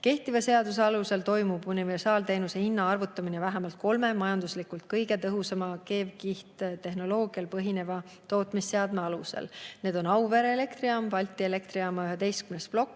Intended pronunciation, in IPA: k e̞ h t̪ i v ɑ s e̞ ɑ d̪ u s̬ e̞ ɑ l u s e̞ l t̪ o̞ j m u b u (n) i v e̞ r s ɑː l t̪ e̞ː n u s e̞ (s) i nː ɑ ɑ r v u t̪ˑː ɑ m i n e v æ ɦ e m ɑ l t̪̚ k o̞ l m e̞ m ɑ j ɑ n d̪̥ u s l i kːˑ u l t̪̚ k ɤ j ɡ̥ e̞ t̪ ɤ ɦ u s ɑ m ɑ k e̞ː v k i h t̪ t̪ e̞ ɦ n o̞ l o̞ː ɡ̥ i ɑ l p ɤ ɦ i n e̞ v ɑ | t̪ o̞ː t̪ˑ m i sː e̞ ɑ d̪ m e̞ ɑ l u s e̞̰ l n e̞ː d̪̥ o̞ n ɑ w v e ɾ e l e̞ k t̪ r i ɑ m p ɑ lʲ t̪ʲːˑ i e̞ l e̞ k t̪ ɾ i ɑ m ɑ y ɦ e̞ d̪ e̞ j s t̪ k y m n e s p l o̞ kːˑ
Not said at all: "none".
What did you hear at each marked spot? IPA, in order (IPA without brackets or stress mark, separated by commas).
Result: n, h